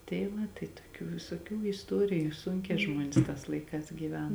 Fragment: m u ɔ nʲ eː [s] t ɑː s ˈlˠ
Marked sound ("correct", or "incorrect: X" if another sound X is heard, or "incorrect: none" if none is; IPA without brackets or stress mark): correct